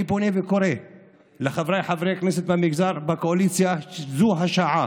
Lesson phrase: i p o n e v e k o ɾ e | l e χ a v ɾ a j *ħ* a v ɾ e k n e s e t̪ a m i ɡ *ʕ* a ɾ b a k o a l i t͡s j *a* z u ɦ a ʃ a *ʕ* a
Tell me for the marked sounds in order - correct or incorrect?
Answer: correct, incorrect: z, correct, correct

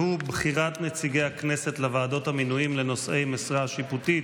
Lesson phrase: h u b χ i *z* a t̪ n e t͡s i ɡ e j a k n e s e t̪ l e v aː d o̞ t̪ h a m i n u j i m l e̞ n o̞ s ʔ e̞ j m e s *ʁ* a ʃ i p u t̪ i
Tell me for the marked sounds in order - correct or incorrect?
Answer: incorrect: ʁ, correct

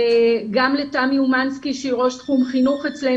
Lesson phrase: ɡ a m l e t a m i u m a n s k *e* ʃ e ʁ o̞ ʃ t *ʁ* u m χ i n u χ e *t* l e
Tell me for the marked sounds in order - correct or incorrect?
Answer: incorrect: i, incorrect: χ, incorrect: t͡s

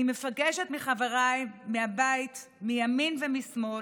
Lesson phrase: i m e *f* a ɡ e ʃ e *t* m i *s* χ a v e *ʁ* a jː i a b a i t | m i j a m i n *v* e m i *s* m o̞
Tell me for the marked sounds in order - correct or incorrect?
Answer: correct, correct, incorrect: none, correct, correct, correct

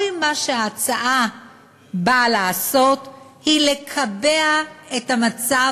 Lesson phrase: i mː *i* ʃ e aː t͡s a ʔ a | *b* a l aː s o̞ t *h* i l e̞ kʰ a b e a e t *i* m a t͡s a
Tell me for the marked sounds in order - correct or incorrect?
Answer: incorrect: a, correct, correct, incorrect: a

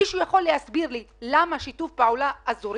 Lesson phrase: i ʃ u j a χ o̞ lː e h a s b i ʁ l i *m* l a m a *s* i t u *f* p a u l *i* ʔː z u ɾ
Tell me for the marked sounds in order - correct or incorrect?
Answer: incorrect: none, incorrect: ʃ, correct, incorrect: a

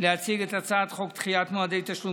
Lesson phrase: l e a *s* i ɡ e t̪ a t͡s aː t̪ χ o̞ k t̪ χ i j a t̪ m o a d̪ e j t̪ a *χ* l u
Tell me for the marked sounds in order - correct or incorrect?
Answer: incorrect: t͡s, incorrect: ʃ

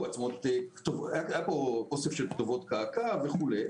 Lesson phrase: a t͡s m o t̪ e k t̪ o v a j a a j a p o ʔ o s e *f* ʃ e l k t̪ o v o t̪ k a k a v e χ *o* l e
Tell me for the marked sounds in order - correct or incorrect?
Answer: correct, incorrect: u

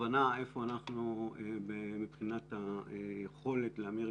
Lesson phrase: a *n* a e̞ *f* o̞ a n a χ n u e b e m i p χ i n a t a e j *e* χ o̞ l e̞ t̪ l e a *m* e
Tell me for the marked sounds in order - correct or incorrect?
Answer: correct, correct, correct, correct

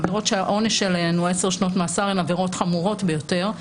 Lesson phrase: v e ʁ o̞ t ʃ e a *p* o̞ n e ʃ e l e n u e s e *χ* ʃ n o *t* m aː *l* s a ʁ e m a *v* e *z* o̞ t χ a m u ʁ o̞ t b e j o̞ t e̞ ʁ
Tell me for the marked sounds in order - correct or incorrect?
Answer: incorrect: ʔ, incorrect: ʁ, correct, incorrect: none, correct, incorrect: ʁ

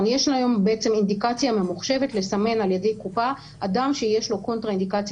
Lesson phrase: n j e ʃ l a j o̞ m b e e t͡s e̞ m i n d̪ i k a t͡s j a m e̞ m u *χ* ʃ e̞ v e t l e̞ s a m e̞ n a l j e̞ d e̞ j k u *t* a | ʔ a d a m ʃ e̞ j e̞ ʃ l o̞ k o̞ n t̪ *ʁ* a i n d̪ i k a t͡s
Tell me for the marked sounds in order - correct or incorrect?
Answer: correct, incorrect: p, correct

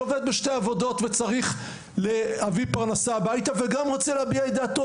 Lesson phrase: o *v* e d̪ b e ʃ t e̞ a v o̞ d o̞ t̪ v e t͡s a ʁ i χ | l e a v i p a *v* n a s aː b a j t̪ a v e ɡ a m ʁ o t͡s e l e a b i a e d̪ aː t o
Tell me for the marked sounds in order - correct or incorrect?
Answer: correct, incorrect: ʁ

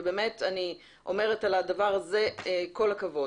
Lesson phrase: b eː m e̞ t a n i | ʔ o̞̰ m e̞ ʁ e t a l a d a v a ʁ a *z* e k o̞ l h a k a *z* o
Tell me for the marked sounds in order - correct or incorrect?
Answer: correct, incorrect: v

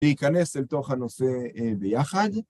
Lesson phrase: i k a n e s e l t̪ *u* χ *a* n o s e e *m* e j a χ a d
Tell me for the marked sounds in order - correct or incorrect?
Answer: incorrect: o, correct, incorrect: b

